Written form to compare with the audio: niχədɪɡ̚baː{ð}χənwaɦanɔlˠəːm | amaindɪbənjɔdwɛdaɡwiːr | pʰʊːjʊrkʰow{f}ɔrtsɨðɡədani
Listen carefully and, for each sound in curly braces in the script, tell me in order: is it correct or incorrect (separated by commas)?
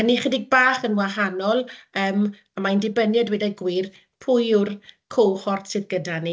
incorrect, incorrect